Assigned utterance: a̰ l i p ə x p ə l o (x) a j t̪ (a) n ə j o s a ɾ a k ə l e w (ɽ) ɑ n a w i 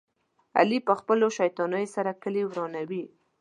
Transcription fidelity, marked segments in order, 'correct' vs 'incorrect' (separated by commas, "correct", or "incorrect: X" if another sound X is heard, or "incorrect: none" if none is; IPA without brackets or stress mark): incorrect: ʃ, incorrect: ɑ, incorrect: ɾ